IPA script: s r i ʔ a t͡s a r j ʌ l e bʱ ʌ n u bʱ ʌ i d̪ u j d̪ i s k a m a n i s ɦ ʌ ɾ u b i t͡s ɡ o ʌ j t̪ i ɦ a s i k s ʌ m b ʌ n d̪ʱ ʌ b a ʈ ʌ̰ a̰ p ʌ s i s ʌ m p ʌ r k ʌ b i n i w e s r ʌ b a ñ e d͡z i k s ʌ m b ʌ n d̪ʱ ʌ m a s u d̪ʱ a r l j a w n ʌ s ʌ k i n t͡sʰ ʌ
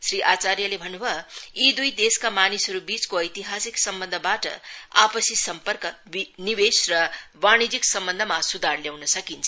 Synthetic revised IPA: s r i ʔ a t͡s a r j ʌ l e bʱ ʌ n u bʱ ʌ i d̪ u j d̪ e s k a m a n i s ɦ ʌ ɾ u b i t͡s k o ʌ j t̪ i ɦ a s i k s ʌ m b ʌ n d̪ʱ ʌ b a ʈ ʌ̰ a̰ p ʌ s i s ʌ m p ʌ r k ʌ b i n i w e s r ʌ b a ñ i d͡z i k s ʌ m b ʌ n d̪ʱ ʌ m a s u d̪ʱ a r l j a w n ʌ s ʌ k i n t͡sʰ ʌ